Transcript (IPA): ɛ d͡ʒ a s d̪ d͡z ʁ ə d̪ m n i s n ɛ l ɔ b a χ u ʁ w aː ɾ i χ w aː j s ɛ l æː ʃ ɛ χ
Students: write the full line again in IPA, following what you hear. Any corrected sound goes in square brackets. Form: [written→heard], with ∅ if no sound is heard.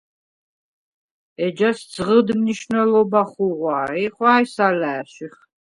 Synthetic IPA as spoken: ɛ d͡ʒ a s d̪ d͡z ʁ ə d̪ m n i [s→ʃ] n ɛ l ɔ b a χ u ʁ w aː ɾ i χ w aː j s [ɛ→a] l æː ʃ [ɛ→i] χ